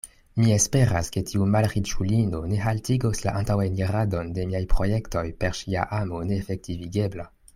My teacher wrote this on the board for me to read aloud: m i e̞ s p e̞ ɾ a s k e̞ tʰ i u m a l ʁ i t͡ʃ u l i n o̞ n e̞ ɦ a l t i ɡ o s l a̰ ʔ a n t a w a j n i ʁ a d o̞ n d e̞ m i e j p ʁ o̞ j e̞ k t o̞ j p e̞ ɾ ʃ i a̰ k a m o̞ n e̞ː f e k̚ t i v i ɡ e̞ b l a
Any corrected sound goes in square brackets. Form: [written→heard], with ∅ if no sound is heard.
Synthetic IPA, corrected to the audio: m i e̞ s p e̞ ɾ a s k e̞ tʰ i u m a l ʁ i t͡ʃ u l i n o̞ n e̞ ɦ a l t i ɡ o s l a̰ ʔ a n t a w a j n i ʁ a d o̞ n d e̞ m i [e→a] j p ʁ o̞ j e̞ k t o̞ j p e̞ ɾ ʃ i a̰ [k→ʔ] a m o̞ n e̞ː f e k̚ t i v i ɡ e̞ b l a